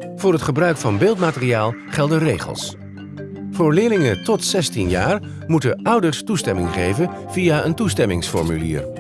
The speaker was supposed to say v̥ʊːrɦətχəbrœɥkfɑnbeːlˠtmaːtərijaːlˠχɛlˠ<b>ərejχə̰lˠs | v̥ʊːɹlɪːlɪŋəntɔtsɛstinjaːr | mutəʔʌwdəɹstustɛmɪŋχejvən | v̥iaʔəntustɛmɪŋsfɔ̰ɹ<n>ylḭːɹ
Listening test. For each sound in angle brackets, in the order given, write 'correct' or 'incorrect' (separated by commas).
incorrect, incorrect